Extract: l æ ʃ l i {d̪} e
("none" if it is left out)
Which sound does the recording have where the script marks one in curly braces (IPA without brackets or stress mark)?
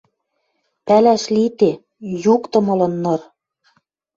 t̪